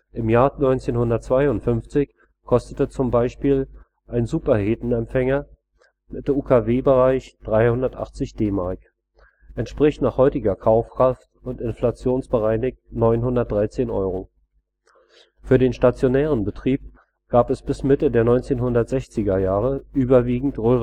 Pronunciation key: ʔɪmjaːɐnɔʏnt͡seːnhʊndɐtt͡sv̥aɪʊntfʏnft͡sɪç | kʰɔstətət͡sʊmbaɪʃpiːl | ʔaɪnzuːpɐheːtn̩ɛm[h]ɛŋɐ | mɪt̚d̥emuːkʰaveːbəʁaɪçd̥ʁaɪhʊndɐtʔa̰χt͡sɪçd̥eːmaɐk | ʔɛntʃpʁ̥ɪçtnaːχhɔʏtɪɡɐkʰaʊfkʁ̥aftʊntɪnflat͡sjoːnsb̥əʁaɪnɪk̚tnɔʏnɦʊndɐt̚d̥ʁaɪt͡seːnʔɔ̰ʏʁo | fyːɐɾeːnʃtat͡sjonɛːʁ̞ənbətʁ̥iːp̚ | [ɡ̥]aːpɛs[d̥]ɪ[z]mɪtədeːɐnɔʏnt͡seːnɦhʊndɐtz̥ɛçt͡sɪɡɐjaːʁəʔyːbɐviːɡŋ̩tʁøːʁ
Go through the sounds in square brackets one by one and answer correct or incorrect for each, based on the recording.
incorrect, correct, incorrect, incorrect

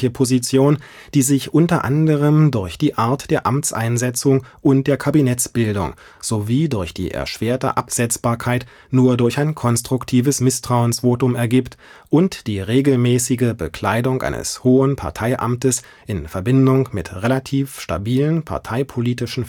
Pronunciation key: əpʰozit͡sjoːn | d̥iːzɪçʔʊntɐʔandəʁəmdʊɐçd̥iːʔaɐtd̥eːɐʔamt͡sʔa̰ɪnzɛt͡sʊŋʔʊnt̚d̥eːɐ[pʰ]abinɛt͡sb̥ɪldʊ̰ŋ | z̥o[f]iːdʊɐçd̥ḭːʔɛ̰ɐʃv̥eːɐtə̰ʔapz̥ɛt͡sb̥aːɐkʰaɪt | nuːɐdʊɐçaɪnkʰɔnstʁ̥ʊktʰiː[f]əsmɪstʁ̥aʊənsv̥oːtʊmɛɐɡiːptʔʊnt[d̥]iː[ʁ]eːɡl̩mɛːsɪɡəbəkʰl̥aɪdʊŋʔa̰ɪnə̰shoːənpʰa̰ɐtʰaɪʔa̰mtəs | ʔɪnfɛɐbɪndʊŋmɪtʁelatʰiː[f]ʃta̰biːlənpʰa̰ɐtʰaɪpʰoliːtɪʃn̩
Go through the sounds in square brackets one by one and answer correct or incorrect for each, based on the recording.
incorrect, incorrect, incorrect, correct, correct, correct

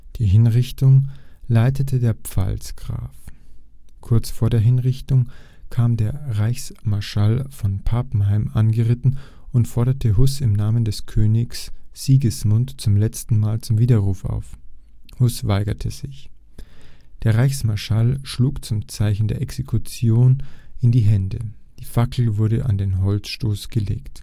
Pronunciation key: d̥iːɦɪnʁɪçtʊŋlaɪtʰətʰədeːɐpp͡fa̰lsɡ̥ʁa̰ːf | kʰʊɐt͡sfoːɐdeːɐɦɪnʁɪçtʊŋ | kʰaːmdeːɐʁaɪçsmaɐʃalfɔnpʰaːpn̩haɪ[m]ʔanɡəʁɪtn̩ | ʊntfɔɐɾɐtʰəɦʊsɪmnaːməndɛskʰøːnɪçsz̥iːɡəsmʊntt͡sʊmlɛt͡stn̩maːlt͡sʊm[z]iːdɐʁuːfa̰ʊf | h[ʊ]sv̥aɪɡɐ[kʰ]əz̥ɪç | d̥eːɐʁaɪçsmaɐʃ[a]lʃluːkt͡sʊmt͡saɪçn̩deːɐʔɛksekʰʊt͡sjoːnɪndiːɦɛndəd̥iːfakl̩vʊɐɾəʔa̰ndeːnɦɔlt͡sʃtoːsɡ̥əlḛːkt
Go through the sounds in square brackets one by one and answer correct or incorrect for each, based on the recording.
correct, incorrect, correct, incorrect, correct

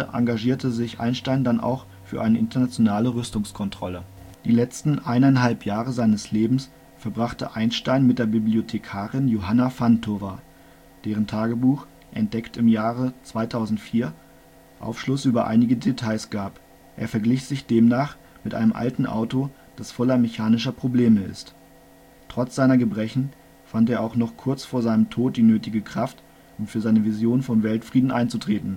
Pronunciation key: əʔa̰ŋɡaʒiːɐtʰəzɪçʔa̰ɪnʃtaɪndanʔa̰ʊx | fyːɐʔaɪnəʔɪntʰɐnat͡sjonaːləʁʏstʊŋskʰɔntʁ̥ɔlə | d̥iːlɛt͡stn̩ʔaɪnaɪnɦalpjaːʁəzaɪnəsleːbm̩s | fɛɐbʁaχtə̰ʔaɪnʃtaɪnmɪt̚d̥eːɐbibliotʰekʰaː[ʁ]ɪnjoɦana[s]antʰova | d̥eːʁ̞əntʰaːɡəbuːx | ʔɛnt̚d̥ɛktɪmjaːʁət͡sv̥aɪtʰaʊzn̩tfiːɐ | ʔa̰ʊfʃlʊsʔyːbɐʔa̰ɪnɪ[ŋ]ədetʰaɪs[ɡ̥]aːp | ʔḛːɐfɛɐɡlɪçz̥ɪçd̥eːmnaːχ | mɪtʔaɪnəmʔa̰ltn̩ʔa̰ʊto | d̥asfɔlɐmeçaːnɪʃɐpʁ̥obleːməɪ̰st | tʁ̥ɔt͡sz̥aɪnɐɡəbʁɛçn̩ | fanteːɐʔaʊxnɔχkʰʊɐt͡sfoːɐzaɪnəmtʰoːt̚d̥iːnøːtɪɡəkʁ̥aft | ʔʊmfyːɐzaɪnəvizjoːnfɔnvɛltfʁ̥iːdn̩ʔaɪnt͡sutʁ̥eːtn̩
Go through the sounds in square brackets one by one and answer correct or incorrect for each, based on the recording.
correct, incorrect, incorrect, correct

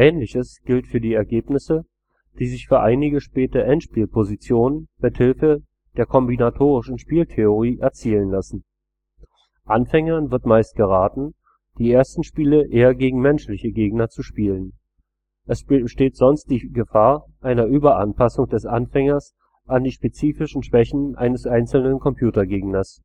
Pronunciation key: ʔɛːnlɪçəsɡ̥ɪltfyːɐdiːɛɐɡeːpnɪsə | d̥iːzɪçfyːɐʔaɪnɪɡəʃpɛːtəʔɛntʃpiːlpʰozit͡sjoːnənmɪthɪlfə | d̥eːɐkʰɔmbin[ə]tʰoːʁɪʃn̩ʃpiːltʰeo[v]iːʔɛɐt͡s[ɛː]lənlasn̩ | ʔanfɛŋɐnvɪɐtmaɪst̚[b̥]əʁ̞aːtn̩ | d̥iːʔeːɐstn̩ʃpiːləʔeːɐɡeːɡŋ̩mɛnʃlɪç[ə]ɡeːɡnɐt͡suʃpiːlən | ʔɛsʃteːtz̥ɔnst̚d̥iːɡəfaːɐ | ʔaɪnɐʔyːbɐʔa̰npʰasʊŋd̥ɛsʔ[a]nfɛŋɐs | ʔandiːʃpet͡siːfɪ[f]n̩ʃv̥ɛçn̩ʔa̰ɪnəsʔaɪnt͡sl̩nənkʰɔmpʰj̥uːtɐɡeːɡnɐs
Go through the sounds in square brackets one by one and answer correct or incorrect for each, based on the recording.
incorrect, incorrect, incorrect, incorrect, correct, correct, incorrect

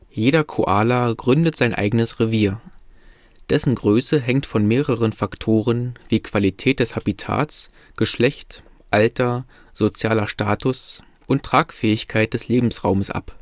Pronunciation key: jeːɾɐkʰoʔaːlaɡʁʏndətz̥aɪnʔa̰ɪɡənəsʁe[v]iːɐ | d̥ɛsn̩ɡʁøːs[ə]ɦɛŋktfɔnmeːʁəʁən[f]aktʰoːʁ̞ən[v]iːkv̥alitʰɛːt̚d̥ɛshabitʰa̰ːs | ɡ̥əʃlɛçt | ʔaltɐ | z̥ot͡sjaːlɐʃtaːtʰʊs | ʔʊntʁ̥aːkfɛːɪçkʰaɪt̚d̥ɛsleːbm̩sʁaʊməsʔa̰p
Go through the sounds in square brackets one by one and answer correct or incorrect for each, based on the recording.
correct, correct, correct, correct

